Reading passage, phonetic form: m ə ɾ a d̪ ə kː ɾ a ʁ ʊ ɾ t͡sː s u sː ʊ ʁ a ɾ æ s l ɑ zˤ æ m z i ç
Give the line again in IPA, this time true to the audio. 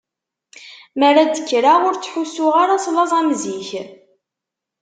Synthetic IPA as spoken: m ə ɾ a d̪ ə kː ɾ a ʁ ʊ ɾ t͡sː ħ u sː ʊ ʁ a ɾ a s l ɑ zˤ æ m z i ç